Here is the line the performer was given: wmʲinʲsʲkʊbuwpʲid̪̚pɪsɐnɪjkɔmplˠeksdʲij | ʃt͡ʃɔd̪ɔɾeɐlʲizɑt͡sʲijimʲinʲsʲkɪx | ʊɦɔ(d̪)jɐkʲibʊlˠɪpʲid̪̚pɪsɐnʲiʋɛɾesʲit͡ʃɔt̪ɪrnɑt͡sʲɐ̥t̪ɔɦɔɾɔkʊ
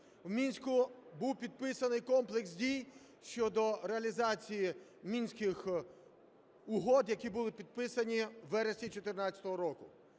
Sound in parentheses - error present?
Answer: no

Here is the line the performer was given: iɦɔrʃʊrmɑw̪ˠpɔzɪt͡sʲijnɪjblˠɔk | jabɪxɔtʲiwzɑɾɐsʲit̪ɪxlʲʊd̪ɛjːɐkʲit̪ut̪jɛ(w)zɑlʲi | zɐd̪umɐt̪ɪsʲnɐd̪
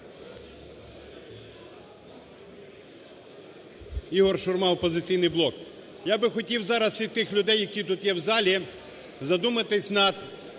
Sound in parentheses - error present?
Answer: no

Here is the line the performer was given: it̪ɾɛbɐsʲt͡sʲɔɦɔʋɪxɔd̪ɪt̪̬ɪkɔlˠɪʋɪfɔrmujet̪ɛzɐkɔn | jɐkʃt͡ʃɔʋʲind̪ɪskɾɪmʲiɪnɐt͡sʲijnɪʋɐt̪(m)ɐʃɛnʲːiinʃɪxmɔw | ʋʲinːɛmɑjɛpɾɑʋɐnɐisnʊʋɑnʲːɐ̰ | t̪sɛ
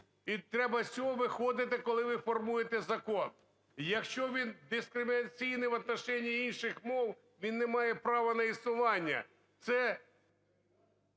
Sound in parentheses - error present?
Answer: yes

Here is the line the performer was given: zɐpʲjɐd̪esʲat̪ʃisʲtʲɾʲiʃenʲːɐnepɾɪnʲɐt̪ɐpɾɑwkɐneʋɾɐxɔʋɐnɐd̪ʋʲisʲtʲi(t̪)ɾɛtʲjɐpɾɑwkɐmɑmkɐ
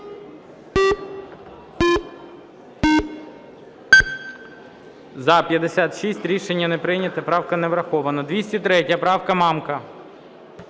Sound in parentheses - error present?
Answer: no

